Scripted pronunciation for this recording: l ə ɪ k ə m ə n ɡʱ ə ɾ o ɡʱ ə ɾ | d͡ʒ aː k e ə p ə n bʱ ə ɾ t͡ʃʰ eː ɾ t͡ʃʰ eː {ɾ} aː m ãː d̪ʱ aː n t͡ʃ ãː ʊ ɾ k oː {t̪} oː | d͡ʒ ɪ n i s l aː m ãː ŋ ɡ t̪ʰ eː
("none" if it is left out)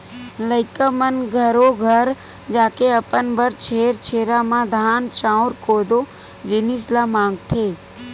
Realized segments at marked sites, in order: ɾ, d̪

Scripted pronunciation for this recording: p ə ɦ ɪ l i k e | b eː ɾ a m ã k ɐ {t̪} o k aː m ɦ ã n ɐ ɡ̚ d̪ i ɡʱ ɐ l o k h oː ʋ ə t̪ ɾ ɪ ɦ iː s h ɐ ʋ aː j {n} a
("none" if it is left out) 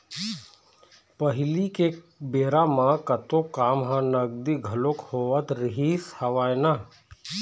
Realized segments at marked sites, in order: t̪, n

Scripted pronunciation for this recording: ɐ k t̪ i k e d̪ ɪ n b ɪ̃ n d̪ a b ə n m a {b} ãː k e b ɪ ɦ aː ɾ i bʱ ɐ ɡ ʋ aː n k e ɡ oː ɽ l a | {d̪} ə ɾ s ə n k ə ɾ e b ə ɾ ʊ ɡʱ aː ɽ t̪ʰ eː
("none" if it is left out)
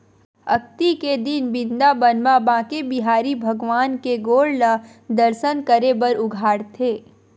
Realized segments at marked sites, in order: b, d̪

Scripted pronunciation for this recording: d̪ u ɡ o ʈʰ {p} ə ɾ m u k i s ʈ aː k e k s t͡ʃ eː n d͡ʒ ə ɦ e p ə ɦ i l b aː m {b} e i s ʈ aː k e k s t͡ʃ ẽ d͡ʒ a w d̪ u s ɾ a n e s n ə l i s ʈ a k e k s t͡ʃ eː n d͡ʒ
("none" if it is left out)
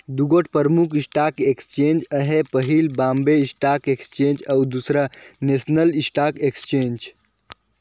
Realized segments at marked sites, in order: p, b

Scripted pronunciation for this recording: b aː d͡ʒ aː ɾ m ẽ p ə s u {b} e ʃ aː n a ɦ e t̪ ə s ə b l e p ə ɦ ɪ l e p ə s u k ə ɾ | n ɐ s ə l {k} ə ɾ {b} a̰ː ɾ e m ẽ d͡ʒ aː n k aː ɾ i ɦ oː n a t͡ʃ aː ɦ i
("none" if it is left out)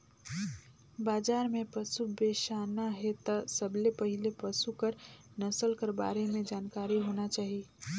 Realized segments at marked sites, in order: b, k, b

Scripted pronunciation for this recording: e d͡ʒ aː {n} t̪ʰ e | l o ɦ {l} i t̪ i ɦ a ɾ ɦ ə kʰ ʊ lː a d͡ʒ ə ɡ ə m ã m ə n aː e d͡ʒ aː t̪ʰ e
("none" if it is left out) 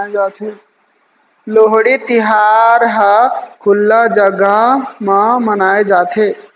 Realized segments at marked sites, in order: none, ɽ

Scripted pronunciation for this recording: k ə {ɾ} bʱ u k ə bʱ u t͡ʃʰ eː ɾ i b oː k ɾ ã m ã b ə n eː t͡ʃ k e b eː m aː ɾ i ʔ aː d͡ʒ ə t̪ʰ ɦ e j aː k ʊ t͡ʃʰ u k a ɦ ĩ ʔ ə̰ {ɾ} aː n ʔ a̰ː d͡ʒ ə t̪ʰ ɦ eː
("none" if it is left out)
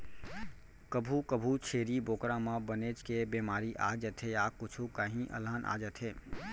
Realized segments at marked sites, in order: none, l

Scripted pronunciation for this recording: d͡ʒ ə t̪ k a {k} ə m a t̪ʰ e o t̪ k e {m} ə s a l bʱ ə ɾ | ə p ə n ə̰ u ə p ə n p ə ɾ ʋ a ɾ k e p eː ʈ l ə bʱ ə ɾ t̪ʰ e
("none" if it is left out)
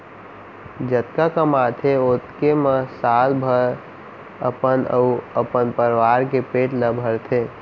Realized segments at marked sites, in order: k, m

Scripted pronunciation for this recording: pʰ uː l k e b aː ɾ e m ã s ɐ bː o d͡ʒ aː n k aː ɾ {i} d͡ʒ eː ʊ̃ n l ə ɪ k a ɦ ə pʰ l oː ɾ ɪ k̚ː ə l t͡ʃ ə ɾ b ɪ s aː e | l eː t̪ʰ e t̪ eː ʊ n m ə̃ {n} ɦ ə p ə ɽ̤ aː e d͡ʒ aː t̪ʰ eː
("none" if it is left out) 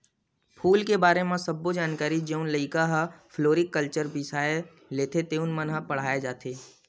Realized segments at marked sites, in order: i, n

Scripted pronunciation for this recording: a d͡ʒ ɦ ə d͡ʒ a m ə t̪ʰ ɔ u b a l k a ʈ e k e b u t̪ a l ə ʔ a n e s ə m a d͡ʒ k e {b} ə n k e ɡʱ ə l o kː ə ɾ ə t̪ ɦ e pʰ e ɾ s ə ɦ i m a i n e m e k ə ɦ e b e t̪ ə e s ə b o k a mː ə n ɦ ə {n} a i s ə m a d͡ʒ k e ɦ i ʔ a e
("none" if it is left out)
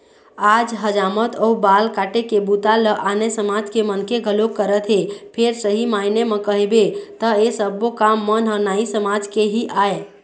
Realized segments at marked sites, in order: m, n

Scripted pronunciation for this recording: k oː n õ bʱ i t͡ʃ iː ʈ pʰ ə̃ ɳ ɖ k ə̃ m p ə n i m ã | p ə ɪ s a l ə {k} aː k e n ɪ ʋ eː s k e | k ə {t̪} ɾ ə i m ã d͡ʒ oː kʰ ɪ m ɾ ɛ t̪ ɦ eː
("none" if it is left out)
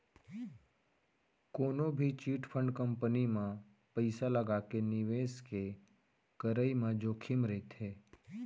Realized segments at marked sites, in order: ɡ, none

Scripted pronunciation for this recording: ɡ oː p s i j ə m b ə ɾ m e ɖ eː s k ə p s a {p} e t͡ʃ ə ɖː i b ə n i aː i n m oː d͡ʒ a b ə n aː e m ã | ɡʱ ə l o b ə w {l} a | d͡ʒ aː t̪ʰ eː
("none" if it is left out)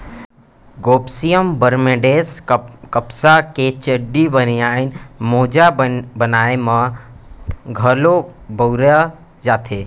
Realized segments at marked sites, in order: k, ɾ

